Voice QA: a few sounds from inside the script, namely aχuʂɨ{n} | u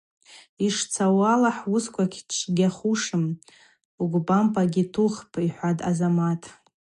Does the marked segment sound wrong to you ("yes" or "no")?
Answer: yes